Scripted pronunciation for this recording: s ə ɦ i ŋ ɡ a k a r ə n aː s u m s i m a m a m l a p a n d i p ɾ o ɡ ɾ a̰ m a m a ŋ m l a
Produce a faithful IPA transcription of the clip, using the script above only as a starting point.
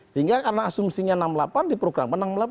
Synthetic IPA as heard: s ə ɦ i ŋ ɡ a k a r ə n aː s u m s i ɲ a n a m l a p a n d i p ɾ o ɡ ɾ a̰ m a n a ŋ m l a